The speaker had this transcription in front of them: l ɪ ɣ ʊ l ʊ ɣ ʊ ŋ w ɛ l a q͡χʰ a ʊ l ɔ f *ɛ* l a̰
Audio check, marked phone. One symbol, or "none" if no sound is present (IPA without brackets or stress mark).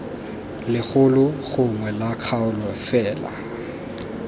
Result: ɛː